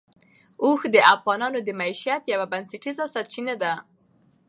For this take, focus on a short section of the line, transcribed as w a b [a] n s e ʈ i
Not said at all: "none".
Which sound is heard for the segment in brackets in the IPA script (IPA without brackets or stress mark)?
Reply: a